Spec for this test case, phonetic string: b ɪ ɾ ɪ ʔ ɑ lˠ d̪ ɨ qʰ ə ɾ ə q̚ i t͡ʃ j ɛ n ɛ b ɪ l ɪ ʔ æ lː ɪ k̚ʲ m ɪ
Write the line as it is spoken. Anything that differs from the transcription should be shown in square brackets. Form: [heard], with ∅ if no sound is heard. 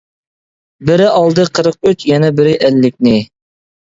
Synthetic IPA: b ɪ ɾ ɪ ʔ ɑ lˠ d̪ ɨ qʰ ə ɾ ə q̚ [y] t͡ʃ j ɛ n ɛ b ɪ [ɾ] ɪ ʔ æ lː ɪ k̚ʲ [n] ɪ